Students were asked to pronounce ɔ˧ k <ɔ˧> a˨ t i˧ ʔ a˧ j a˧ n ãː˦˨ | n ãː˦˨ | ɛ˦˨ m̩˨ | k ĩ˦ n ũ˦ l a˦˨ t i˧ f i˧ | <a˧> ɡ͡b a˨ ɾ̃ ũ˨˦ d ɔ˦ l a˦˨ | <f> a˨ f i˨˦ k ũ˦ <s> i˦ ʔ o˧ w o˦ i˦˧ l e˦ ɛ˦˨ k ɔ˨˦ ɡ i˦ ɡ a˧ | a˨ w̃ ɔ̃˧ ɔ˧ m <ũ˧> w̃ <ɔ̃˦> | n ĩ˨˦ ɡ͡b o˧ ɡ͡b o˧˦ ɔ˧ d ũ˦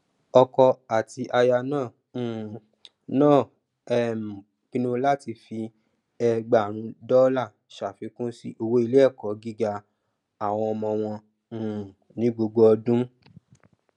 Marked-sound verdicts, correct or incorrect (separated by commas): correct, incorrect, incorrect, correct, incorrect, incorrect